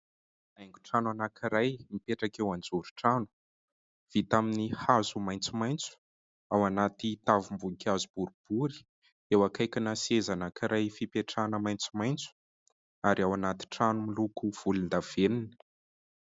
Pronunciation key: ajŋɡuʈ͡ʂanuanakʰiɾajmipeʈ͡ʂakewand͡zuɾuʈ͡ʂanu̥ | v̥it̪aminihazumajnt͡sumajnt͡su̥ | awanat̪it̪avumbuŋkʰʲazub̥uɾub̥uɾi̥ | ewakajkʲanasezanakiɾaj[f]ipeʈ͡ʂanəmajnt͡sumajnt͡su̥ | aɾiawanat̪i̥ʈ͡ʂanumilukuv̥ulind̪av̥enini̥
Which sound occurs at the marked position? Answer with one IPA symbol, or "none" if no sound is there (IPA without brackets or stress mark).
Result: f